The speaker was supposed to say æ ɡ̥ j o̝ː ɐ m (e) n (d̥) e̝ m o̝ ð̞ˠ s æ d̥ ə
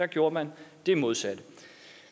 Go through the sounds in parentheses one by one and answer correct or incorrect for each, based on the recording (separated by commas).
incorrect, correct